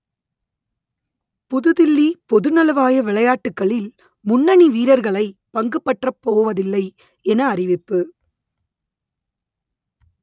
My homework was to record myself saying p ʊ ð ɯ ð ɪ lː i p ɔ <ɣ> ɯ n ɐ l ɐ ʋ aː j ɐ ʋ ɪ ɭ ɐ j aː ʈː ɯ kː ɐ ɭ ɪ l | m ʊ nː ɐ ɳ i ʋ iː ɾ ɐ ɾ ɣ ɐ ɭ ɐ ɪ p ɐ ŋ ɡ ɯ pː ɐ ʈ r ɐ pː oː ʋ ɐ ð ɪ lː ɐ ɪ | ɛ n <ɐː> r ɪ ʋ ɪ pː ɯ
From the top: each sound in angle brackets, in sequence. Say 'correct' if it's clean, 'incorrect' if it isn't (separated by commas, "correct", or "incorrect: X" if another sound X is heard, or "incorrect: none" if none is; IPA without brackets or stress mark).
incorrect: ð, correct